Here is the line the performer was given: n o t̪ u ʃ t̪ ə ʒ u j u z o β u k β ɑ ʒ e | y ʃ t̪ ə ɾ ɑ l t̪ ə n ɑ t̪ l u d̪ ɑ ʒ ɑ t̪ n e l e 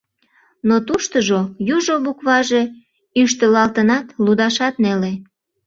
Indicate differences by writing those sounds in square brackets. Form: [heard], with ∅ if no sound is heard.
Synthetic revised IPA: n o t̪ u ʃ t̪ ə ʒ [o] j u [ʒ] o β u k β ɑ ʒ e | y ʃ t̪ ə [l] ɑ l t̪ ə n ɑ t̪ l u d̪ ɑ [ʃ] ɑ t̪ n e l e